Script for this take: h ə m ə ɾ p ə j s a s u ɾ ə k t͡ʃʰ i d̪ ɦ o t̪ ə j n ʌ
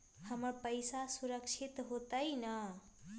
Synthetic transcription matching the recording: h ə m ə ɾ p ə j s a s u ɾ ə k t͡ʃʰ i t̪ ɦ o t̪ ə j n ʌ